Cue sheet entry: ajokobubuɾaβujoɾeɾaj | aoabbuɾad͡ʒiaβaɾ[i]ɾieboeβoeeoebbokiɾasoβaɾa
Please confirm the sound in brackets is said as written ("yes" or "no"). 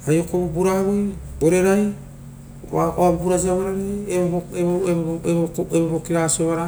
no